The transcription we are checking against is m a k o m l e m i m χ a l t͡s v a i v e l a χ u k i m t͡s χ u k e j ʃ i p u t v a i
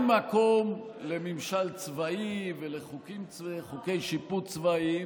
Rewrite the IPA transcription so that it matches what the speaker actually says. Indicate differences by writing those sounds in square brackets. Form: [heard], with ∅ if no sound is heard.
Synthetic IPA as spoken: m a k o m l e m i m [ʃ] a l t͡s v a i v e l [e] χ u k i m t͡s χ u k e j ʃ i p u [t͡s] v a i